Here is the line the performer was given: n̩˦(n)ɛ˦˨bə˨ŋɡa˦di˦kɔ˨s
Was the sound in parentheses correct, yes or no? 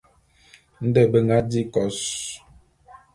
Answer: no